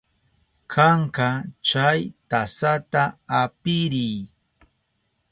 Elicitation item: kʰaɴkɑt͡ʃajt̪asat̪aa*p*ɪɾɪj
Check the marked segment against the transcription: correct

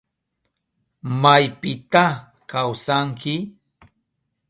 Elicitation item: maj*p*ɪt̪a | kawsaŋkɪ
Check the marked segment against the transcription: correct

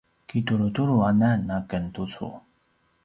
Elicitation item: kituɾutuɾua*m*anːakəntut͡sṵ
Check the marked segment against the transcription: incorrect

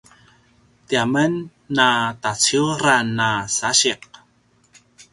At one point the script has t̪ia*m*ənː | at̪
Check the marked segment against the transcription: correct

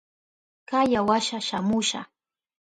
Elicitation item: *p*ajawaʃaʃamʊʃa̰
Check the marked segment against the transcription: incorrect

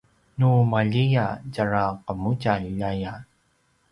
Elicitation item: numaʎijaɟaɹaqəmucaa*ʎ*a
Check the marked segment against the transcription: incorrect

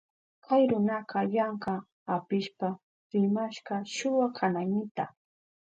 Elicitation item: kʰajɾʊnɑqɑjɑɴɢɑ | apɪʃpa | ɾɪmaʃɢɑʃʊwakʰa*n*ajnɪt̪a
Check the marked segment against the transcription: correct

